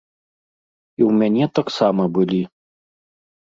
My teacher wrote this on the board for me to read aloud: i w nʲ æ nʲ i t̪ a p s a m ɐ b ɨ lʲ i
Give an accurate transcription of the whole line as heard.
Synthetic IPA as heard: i w mʲ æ nʲ ɛ t̪ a k s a m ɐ b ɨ lʲ i

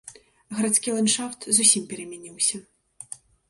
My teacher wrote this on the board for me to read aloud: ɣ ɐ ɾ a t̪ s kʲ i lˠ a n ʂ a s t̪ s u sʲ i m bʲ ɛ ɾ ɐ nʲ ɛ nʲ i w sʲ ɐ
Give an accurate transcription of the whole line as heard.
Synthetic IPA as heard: ɣ ɐ ɾ a t̪ s kʲ i lˠ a n ʂ a f t̪ z u sʲ i m pʲ ɛ ɾ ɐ mʲ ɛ nʲ i w sʲ ɐ

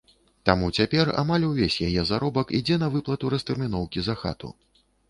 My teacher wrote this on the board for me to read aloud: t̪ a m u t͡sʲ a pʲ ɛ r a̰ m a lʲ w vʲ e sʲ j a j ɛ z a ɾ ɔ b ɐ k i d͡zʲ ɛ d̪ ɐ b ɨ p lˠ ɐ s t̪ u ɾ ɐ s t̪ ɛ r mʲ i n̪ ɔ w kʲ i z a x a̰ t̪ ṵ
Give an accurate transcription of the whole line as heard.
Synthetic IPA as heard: t̪ a m u t͡sʲ a pʲ ɛ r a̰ m a lʲ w vʲ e sʲ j a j ɛ z a ɾ ɔ b ɐ k i d͡zʲ ɛ n̪ ɐ v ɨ p lˠ ɐ t̪ u ɾ ɐ s t̪ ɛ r mʲ i n̪ ɔ w kʲ i z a x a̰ t̪ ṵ

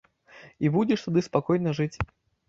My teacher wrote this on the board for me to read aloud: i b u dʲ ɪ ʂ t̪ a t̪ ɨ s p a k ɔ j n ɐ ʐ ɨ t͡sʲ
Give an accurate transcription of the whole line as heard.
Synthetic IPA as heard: i b u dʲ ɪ ʂ t̪ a d̪ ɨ s p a k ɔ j n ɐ ʐ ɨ t͡sʲ

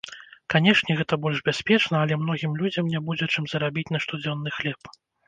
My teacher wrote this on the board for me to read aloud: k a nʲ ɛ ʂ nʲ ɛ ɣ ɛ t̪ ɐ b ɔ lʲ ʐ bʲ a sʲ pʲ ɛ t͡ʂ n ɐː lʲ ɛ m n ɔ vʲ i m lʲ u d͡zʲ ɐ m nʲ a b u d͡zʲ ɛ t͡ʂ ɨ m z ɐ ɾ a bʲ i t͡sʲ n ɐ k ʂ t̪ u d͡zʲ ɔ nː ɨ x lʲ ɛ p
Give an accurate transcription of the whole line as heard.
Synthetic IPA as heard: k a nʲ ɛ ʂ nʲ ɛ ɣ ɛ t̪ ɐ b ɔ lʲ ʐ bʲ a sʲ pʲ ɛ t͡ʂ n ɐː lʲ ɛ m n ɔ ɣʲ i m lʲ u d͡zʲ ɐ m nʲ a b u d͡zʲ ɛ t͡ʂ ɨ m z ɐ ɾ a bʲ i t͡sʲ n ɐ ʂ t̪ u d͡zʲ ɔ nː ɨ x lʲ ɛ p

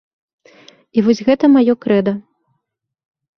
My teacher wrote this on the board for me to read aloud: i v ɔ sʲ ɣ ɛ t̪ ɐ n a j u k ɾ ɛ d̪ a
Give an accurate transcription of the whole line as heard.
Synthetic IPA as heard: i v ɔ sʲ ɣ ɛ t̪ ɐ m a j ɔ k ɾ ɛ d̪ ɐ

